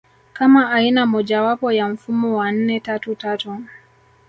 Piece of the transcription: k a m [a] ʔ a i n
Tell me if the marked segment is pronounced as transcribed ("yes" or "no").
yes